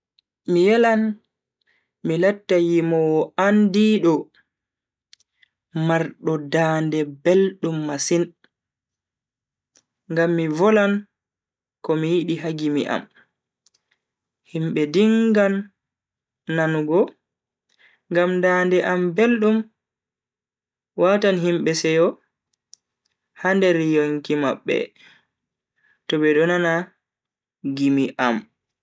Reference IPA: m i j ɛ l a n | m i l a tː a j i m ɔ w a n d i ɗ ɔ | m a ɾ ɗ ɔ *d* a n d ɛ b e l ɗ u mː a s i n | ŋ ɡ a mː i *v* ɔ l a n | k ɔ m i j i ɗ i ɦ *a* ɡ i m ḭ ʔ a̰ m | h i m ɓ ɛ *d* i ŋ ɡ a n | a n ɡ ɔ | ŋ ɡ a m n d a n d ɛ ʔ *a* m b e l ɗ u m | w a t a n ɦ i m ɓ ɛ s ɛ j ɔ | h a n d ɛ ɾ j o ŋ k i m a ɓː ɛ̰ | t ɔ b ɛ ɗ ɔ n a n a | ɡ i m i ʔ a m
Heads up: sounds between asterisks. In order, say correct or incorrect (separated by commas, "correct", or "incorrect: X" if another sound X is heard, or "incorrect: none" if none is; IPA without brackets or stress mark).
correct, correct, correct, correct, correct